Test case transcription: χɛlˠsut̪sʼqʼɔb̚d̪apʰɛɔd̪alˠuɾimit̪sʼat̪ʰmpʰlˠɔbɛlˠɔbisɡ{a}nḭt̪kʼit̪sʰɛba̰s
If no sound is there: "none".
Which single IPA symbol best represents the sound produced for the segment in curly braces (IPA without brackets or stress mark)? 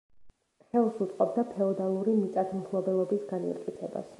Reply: a